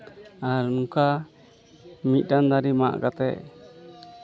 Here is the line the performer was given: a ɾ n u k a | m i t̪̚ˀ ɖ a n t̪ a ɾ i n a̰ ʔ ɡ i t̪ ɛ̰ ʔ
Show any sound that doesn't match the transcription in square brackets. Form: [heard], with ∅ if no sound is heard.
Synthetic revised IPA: a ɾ n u k a | m i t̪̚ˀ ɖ a n [d̪] a ɾ i [m] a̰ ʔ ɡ [a] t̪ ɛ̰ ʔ